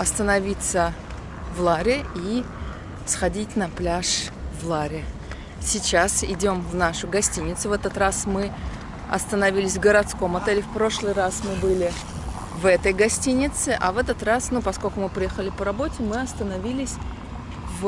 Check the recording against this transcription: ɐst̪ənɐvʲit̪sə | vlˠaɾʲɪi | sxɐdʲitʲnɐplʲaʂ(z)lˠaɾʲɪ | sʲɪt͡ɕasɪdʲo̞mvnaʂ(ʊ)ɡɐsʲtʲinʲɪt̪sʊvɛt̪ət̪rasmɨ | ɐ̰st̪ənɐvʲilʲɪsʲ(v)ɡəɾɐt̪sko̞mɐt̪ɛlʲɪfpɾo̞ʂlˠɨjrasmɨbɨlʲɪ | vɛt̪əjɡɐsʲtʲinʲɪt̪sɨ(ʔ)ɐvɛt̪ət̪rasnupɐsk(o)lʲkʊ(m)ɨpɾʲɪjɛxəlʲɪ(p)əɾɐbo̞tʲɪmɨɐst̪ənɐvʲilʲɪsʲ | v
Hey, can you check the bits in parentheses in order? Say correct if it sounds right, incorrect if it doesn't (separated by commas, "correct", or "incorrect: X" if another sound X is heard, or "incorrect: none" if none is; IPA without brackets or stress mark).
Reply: incorrect: v, correct, correct, correct, correct, correct, correct